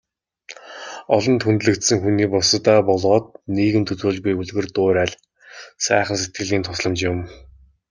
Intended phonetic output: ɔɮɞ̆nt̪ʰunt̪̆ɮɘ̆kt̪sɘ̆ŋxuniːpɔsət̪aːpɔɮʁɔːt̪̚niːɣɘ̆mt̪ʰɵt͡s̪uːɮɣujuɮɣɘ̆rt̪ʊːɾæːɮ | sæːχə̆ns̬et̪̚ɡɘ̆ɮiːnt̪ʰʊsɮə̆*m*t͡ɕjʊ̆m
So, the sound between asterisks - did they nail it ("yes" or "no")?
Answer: yes